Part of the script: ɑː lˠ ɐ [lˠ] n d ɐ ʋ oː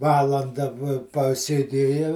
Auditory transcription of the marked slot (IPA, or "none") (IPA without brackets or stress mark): none